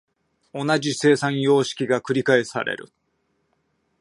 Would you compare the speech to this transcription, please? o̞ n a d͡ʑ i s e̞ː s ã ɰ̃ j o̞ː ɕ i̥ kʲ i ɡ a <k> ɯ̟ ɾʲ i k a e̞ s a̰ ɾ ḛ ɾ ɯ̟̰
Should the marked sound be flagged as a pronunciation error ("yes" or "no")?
no